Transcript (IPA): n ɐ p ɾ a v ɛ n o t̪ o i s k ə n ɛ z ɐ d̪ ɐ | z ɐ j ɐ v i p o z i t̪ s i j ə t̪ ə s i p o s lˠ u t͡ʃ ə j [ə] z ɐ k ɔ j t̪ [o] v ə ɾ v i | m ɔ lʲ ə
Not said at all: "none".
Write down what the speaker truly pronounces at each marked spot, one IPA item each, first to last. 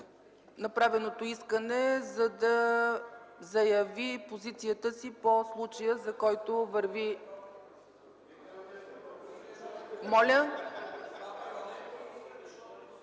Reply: ə, o

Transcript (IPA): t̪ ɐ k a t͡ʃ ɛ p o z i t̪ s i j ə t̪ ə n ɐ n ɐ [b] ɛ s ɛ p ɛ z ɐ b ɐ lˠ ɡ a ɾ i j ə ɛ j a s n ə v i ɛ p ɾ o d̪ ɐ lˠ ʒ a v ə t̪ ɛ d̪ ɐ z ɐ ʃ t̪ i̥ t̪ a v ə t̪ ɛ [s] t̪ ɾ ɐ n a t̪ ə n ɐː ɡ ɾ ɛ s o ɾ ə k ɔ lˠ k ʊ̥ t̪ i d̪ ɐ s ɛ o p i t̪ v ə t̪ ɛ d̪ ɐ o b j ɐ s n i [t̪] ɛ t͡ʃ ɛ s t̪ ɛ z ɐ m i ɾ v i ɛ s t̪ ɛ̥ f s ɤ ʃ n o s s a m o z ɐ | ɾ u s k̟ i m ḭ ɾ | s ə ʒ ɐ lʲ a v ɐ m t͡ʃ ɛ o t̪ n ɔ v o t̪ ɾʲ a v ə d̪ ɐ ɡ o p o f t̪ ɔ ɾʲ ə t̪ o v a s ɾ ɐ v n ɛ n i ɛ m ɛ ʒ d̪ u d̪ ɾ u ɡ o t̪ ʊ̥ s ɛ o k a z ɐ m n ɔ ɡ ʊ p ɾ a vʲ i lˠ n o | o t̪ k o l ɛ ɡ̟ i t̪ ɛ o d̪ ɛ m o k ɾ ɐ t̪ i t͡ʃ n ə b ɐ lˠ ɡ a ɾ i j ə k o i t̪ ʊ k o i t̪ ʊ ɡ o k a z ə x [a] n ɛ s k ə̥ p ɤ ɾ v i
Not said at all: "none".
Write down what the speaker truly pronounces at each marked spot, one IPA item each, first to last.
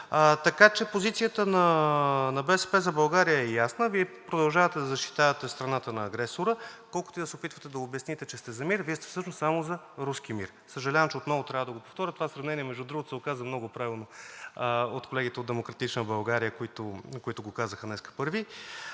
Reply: b, s, t̪, ə

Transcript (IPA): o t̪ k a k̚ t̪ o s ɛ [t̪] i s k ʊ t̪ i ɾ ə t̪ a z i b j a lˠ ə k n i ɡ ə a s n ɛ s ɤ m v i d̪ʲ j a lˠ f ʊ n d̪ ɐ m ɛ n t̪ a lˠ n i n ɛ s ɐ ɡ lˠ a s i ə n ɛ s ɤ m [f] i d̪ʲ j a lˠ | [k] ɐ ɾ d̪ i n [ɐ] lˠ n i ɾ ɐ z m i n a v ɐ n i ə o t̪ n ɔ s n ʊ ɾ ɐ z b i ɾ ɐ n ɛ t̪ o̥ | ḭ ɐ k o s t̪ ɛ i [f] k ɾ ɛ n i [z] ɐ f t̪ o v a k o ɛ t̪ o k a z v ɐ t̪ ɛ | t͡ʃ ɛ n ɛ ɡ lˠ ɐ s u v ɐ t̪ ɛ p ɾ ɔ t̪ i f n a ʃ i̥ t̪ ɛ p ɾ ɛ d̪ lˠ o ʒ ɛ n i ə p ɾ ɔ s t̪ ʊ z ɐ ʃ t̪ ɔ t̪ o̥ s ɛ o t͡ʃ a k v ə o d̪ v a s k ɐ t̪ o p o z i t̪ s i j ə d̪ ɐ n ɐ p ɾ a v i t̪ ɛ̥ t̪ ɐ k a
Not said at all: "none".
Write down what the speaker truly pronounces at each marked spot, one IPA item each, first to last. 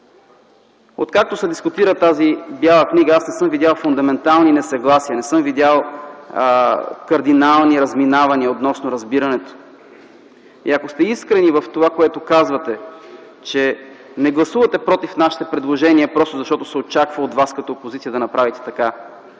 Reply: d̪, v, k, a, s, v

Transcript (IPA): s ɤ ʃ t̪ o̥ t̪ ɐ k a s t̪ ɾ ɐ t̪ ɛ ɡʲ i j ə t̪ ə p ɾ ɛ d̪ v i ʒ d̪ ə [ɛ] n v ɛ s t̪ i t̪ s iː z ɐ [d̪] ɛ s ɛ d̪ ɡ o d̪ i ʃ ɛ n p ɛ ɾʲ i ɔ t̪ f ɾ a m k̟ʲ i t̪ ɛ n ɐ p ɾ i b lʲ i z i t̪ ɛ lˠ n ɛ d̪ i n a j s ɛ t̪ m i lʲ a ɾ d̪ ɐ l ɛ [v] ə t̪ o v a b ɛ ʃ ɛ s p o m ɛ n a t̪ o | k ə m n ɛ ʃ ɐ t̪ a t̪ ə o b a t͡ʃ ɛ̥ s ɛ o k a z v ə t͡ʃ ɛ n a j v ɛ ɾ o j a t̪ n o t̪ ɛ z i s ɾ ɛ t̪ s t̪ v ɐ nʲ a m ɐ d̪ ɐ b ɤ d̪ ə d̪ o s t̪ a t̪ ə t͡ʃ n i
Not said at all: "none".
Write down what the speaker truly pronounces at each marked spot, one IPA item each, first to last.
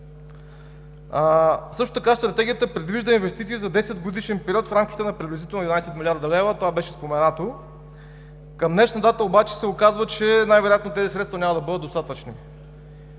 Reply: i, d̪, v

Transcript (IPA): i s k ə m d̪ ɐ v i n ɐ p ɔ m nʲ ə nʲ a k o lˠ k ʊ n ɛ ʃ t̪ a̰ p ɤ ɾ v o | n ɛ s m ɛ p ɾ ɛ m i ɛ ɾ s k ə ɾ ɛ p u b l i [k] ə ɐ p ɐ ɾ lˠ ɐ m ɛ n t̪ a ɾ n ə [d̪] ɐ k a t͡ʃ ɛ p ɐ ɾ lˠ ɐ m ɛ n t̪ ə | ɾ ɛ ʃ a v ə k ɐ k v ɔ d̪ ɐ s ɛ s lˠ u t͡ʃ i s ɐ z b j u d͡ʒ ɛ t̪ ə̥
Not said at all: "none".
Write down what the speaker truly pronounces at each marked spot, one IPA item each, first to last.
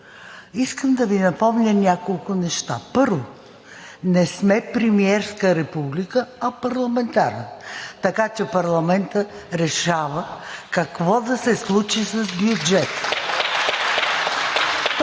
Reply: k, t̪

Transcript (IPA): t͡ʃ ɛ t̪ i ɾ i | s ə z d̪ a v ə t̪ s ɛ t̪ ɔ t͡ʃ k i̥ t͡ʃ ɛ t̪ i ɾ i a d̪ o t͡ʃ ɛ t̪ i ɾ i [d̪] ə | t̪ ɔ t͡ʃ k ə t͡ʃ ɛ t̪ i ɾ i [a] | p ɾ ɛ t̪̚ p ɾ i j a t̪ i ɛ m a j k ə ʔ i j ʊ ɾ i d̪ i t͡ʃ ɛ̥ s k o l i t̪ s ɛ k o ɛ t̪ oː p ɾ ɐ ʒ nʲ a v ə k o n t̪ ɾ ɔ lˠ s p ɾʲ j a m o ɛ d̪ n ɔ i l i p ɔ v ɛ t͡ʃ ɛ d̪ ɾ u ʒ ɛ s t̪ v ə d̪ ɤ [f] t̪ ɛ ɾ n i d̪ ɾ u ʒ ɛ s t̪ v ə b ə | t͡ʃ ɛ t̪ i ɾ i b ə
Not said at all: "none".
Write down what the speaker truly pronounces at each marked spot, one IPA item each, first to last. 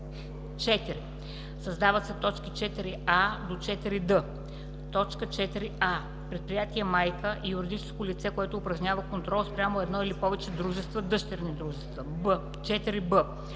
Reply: d̪, a, ʃ

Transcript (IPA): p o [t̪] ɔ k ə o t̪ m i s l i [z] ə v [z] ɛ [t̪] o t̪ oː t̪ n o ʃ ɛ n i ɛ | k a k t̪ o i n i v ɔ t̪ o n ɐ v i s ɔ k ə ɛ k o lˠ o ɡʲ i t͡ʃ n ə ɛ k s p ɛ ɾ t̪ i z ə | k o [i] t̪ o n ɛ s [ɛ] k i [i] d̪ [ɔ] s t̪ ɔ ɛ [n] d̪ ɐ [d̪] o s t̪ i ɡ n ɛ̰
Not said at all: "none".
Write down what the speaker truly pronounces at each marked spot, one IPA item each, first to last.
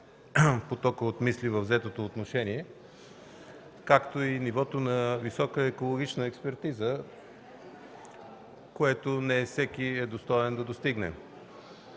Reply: t̪, v, z, t̪, ɛ, ɛ, ɛ, o, n, d̪

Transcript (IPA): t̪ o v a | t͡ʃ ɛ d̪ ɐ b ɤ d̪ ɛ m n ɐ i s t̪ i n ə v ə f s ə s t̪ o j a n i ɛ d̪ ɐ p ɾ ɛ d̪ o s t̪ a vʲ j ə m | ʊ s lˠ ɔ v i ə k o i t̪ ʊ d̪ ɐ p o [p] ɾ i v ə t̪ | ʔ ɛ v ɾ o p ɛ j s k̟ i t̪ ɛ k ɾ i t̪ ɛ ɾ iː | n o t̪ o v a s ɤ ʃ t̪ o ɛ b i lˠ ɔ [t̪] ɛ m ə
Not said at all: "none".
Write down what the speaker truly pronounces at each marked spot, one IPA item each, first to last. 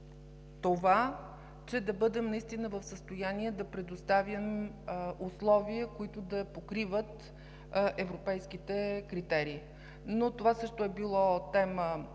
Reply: k, t̪

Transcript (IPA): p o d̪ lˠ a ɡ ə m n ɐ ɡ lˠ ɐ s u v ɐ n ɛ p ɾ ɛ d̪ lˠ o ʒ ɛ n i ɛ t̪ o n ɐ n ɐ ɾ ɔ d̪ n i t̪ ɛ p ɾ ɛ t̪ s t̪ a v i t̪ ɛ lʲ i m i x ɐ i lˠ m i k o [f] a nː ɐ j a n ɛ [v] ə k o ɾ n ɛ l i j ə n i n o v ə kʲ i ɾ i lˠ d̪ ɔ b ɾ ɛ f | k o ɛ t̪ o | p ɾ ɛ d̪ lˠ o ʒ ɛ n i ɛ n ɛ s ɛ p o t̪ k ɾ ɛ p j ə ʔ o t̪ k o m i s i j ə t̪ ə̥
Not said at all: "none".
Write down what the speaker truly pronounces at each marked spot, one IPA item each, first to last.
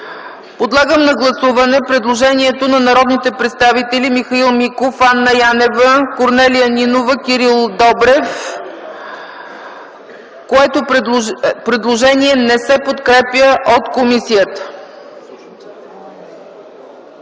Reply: f, v

